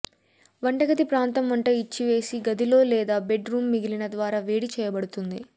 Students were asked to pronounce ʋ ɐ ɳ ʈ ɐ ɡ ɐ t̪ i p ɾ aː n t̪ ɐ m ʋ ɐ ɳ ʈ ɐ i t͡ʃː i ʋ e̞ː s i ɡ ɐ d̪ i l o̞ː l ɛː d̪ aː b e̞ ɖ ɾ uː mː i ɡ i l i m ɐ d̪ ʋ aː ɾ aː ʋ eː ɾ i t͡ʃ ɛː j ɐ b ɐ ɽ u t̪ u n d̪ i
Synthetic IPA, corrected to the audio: ʋ ɐ ɳ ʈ ɐ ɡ ɐ t̪ i p ɾ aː n t̪ ɐ m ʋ ɐ ɳ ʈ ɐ i t͡ʃː i ʋ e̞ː s i ɡ ɐ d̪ i l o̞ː l ɛː d̪ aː b e̞ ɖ ɾ uː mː i ɡ i l i n ɐ d̪ ʋ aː ɾ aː ʋ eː ɽ i t͡ʃ ɛː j ɐ b ɐ ɽ u t̪ u n d̪ i